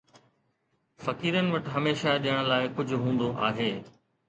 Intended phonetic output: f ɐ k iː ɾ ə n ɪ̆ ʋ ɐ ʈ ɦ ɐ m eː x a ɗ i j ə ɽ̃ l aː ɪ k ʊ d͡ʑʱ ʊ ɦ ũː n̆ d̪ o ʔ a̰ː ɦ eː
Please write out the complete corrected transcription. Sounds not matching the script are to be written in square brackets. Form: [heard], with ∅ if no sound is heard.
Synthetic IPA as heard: f ɐ k iː ɾ ə n ɪ̆ ʋ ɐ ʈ ɦ ɐ m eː [ʃ] a ɗ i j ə ɽ̃ l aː ɪ k ʊ d͡ʑʱ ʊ ɦ ũː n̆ d̪ o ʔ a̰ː ɦ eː